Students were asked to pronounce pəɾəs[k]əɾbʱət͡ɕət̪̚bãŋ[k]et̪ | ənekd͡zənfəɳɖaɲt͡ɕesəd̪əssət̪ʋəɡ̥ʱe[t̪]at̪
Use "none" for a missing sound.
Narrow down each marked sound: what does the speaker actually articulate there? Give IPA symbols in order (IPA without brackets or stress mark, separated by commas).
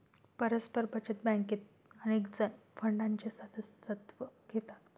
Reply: p, k, t̪